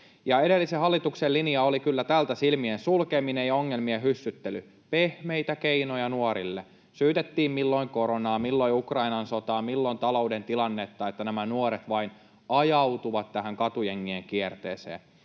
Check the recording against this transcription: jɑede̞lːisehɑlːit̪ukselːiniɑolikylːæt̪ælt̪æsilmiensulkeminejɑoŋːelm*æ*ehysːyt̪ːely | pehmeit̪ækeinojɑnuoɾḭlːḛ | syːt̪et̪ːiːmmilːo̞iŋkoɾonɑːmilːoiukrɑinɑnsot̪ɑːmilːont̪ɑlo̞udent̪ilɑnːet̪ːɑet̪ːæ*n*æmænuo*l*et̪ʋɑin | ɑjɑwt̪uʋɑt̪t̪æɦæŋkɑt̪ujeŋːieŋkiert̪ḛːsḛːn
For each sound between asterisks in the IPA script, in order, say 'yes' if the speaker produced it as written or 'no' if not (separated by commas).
no, yes, no